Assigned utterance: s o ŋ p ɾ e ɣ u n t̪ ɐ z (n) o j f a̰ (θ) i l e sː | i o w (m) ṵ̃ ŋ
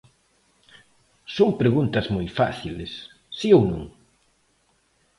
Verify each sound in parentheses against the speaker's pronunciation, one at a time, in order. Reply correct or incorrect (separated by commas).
incorrect, correct, incorrect